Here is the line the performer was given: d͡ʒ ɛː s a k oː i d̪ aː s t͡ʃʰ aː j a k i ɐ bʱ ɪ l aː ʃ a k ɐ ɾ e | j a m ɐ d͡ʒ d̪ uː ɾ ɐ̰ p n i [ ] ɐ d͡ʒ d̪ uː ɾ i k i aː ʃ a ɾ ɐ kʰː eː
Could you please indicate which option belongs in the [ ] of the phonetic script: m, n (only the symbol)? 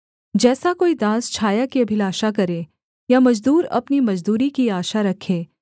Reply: m